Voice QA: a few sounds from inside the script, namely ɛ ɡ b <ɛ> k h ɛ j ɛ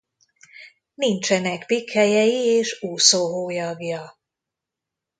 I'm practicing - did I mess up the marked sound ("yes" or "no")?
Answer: yes